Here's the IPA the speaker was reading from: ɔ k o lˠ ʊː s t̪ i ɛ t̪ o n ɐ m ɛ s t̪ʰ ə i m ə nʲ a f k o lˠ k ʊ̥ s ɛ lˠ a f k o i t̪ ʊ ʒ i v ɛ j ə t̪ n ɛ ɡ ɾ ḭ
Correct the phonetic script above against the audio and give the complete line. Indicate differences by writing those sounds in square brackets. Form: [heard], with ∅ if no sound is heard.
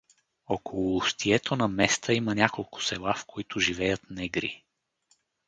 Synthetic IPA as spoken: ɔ k o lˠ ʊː s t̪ i ɛ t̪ o n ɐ m ɛ s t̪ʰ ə i m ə nʲ a [∅] k o lˠ k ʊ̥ s ɛ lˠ a f k o i t̪ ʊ ʒ i v ɛ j ə t̪ n ɛ ɡ ɾ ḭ